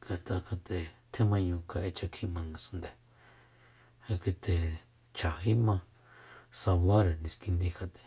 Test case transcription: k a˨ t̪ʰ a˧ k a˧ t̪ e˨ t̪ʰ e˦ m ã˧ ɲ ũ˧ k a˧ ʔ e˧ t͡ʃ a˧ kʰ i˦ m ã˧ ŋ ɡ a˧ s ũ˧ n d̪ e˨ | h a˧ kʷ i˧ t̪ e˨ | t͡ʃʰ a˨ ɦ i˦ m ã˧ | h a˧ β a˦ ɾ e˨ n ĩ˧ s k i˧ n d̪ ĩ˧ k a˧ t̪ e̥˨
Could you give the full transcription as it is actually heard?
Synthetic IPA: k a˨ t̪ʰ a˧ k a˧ t̪ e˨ t̪ʰ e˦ m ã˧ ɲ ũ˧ k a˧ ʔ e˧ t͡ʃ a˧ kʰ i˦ m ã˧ ŋ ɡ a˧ s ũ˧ n d̪ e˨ | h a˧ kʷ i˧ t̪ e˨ | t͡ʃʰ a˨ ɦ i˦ m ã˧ | s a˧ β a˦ ɾ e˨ n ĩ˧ s k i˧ n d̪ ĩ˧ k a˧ t̪ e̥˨